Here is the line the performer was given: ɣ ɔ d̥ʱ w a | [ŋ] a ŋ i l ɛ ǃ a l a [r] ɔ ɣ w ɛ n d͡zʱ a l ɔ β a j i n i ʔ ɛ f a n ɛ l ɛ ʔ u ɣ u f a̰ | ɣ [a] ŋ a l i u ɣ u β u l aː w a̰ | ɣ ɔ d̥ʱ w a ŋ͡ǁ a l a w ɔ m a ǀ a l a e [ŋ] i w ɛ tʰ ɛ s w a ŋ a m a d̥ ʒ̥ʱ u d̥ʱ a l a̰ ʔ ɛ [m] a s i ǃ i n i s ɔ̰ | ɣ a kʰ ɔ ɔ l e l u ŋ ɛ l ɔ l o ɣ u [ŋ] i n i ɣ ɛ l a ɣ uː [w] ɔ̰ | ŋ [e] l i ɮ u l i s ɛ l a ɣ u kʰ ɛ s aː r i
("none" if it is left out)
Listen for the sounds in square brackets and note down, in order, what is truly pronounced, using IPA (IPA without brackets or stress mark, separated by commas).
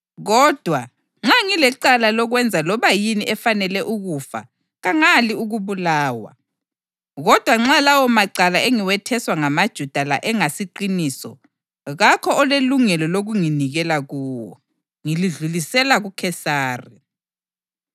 ŋ͡ǁ, l, a, ŋ, ŋ, ŋ, w, i